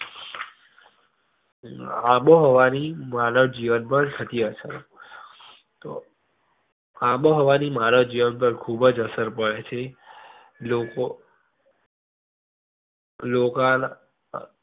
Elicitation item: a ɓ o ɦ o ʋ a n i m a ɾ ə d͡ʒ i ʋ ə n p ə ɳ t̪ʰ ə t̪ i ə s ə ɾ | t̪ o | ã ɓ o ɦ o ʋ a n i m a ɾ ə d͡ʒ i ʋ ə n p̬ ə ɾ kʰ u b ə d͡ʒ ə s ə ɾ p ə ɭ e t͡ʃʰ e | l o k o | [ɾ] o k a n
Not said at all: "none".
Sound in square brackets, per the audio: l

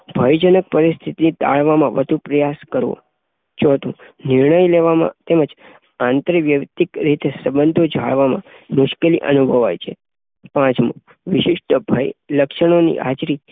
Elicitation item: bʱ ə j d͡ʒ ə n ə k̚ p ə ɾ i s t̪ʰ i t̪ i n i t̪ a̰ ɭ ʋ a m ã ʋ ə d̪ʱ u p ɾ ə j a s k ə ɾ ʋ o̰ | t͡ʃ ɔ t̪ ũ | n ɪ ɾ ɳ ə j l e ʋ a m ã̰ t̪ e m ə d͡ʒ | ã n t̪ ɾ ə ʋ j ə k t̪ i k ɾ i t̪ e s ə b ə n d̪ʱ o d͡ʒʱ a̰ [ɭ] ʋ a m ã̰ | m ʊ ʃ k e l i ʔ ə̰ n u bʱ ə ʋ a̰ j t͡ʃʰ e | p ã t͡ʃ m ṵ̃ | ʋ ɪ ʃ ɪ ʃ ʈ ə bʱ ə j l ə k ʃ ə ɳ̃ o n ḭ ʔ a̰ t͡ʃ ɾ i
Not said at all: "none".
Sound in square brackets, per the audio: ɭ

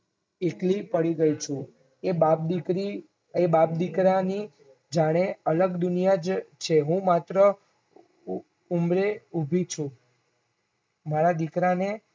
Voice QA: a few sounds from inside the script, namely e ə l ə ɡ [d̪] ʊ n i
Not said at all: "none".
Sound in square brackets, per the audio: d̪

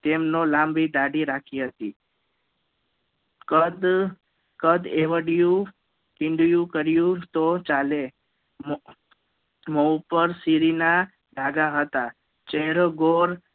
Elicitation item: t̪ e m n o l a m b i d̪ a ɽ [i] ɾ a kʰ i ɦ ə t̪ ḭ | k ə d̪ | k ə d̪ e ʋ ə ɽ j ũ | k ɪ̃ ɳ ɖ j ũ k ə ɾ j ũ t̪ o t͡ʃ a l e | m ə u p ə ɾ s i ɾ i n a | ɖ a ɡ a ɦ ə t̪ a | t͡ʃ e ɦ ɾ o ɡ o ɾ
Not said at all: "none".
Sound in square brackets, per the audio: i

